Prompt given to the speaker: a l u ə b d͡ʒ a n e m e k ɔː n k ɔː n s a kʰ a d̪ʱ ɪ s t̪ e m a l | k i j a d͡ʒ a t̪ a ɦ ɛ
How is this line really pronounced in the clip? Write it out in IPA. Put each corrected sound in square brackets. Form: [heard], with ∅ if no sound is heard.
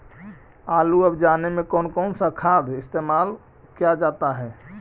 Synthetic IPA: a l u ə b d͡ʒ a n e m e k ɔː n k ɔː n s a kʰ a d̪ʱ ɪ s t̪ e m a l | k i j a d͡ʒ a t̪ a ɦ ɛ